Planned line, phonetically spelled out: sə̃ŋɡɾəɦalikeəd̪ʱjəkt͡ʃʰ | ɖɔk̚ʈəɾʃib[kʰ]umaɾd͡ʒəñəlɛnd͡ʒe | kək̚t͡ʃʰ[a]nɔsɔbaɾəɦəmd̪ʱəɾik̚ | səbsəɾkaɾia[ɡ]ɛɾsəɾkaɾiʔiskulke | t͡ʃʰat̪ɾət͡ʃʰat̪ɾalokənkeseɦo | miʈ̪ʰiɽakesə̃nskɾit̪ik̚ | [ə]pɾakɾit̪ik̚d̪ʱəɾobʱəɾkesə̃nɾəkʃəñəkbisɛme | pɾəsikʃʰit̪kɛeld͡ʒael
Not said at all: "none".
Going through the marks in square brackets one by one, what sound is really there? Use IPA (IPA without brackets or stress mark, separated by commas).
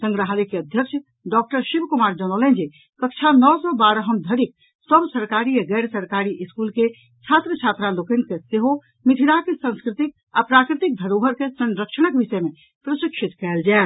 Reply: k, a, ɡ, a